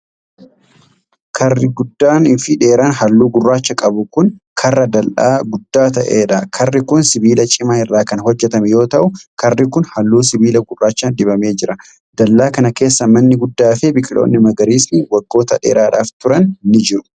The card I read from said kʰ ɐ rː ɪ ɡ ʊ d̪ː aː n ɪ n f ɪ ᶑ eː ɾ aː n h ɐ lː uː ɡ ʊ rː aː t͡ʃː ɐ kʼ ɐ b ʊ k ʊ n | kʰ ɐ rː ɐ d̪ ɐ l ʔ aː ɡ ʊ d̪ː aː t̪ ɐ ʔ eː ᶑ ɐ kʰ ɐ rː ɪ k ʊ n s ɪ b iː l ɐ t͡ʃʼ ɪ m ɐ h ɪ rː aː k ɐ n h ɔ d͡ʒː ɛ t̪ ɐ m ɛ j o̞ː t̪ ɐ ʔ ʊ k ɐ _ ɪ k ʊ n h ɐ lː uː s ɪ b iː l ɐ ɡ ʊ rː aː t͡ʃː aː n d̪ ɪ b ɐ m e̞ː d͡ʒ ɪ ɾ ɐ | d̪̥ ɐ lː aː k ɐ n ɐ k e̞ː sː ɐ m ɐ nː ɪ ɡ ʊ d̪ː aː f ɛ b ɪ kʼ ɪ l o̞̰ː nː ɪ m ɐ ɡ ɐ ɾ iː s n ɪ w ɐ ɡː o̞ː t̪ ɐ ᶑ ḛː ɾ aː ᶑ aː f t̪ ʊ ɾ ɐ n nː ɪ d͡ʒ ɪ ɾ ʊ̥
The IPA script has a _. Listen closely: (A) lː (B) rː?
B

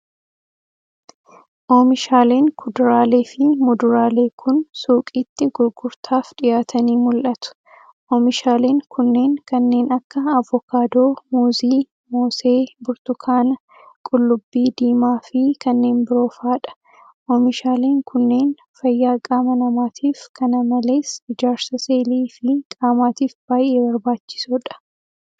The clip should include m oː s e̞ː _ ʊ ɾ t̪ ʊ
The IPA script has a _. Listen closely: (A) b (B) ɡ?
A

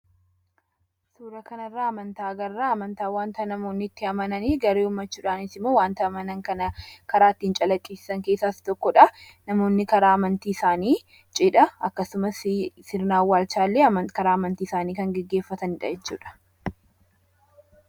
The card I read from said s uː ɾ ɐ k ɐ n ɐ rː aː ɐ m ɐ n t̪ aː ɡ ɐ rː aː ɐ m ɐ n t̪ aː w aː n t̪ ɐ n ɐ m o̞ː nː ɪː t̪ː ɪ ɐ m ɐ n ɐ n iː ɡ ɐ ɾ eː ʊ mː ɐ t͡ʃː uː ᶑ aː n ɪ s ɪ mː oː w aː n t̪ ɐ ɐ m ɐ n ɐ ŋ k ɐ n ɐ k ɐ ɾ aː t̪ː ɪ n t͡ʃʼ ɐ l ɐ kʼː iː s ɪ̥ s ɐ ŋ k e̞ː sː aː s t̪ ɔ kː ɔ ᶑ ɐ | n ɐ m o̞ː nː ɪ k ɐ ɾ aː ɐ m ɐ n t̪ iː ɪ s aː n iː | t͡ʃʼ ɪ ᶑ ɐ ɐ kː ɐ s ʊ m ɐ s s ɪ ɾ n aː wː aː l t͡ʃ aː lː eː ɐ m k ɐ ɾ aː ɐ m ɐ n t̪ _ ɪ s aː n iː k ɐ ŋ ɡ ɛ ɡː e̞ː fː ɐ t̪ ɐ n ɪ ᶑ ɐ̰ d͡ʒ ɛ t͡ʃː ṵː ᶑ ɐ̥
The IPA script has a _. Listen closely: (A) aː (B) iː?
B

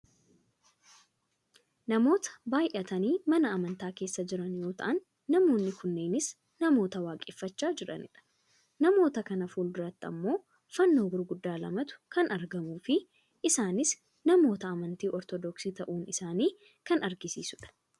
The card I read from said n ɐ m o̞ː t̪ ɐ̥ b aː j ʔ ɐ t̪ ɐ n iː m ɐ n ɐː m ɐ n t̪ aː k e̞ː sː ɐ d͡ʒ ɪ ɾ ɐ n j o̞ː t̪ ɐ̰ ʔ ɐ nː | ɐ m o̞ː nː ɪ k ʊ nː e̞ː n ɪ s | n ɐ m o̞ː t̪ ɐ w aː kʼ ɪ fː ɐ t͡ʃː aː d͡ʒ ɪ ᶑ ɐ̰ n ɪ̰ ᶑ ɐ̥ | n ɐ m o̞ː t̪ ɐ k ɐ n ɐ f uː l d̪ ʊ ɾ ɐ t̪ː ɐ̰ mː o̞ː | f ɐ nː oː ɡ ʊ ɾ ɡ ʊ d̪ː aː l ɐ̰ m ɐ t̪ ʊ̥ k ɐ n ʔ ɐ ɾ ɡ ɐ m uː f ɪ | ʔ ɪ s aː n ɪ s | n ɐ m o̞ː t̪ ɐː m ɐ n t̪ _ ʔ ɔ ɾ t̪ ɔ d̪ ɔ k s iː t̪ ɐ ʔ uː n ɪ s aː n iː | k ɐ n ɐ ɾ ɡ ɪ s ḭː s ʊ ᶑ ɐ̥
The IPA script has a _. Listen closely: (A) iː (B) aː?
A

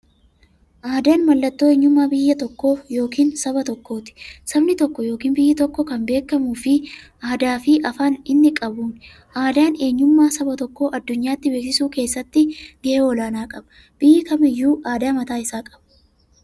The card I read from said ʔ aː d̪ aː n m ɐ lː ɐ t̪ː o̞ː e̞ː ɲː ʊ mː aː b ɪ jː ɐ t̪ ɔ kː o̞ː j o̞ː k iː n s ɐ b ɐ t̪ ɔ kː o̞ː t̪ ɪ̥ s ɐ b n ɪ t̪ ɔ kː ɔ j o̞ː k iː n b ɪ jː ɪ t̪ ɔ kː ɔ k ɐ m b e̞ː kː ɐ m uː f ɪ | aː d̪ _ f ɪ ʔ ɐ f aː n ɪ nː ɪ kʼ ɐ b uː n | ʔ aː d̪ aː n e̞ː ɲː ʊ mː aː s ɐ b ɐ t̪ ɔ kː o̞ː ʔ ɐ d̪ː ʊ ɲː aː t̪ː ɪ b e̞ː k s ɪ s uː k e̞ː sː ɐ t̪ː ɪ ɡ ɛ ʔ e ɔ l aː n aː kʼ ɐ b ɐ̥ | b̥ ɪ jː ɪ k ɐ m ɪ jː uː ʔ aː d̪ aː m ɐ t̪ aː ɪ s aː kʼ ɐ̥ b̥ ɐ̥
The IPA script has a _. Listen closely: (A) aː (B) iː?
A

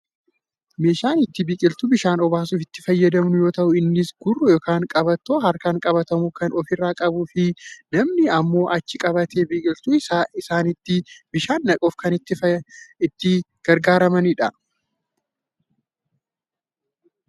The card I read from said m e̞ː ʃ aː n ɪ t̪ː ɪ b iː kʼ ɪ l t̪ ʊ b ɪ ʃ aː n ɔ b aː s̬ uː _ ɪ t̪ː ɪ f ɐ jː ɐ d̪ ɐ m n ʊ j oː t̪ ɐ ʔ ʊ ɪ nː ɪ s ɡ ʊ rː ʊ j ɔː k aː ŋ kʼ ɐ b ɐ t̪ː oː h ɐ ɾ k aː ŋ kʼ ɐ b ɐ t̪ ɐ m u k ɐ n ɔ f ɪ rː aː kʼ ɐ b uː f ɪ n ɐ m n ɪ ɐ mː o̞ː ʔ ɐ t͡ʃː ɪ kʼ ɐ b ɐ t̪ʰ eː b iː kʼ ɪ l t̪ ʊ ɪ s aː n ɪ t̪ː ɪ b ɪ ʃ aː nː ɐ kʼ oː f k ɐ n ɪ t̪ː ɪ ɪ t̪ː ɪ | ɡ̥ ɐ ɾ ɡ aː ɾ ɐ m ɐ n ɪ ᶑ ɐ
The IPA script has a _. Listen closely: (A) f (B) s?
A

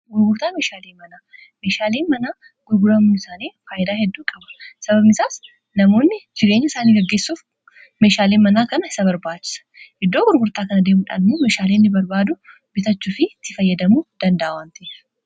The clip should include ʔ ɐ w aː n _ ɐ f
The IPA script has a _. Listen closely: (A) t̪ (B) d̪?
A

